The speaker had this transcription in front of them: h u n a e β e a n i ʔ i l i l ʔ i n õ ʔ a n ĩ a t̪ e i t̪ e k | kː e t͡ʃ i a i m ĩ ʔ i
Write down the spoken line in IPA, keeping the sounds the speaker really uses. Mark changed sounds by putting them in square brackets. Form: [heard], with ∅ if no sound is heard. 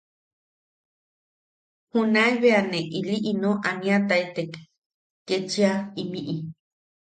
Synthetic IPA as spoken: h u n a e β e a n [e] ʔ i l i [∅] ʔ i n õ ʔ a n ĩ a t̪ [a] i t̪ e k | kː e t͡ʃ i a i m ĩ ʔ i